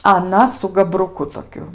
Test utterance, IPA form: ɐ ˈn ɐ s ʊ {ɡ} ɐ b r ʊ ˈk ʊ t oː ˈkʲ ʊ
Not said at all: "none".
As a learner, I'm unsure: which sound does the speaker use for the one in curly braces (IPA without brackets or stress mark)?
ɡ